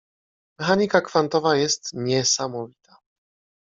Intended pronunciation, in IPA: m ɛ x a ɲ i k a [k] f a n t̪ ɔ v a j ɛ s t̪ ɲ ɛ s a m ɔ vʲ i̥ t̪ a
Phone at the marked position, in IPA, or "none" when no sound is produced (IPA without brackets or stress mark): k